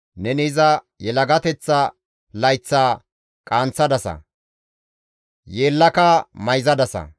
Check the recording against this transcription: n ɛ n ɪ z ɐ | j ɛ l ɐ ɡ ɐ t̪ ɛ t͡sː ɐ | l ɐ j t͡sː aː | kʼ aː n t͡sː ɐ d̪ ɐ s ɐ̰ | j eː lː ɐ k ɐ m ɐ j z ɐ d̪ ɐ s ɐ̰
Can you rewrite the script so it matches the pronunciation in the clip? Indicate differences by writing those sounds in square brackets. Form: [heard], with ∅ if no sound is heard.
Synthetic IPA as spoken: n ɛ n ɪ z ɐ | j ɛ l ɐ ɡ ɐ t̪ ɛ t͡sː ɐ | l ɐ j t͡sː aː | kʼ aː n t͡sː ɐ d̪ ɐ s ɐ̰ | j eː lː ɐ k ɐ m ɐ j z ɐ d̪ ɐ s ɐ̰

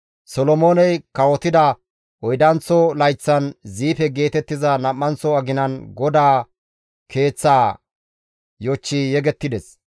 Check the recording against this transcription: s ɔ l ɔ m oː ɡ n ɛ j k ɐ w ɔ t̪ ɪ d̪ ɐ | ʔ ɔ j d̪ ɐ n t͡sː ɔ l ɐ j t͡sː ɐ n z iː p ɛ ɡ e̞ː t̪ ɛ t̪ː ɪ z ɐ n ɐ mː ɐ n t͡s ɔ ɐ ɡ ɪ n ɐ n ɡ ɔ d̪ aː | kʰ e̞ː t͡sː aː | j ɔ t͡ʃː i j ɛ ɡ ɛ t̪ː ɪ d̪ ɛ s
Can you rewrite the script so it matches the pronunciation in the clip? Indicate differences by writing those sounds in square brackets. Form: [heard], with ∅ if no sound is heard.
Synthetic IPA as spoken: s ɔ l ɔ m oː [∅] n ɛ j k ɐ w ɔ t̪ ɪ d̪ ɐ | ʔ ɔ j d̪ ɐ n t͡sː ɔ l ɐ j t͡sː ɐ n z iː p ɛ ɡ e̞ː t̪ ɛ t̪ː ɪ z ɐ n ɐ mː ɐ n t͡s ɔ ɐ ɡ ɪ n ɐ n ɡ ɔ d̪ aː | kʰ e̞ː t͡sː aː | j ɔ t͡ʃː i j ɛ ɡ ɛ t̪ː ɪ d̪ ɛ s

